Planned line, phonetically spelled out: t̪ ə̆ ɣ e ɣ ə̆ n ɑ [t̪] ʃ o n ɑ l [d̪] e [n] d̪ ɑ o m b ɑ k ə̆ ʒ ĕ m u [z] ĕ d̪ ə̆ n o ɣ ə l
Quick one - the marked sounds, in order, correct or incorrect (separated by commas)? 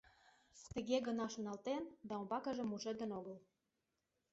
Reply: incorrect, incorrect, correct, incorrect